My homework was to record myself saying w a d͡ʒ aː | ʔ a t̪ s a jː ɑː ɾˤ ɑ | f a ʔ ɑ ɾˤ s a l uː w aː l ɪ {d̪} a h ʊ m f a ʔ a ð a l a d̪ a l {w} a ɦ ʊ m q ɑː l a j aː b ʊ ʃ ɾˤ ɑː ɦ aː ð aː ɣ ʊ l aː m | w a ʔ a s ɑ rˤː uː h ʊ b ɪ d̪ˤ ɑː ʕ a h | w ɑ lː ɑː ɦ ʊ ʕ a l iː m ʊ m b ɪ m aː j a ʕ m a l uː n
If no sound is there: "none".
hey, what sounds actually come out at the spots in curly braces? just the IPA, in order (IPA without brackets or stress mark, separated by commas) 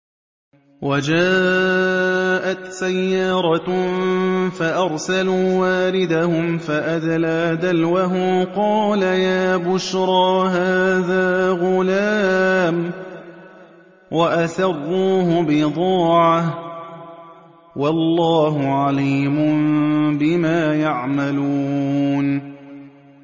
d̪, w